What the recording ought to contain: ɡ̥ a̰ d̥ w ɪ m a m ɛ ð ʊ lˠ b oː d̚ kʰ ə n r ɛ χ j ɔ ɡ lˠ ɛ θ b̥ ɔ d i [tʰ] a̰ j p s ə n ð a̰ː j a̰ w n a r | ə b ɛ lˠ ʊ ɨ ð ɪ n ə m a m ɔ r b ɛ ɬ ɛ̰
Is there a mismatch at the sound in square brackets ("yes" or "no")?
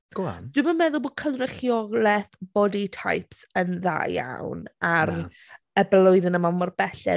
no